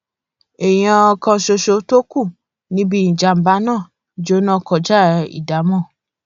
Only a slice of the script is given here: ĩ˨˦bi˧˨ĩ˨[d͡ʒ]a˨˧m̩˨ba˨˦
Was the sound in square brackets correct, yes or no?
yes